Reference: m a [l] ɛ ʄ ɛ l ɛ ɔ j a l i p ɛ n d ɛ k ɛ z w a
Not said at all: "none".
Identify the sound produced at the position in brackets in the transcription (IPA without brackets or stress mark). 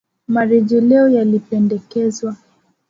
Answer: ɾ